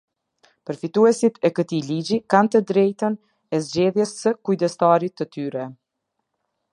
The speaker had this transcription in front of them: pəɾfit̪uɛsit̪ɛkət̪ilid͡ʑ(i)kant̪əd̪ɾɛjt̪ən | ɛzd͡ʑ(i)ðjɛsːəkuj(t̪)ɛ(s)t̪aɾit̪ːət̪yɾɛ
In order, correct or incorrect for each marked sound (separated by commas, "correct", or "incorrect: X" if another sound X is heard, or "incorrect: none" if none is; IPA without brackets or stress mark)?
correct, incorrect: ɛ, incorrect: d̪, correct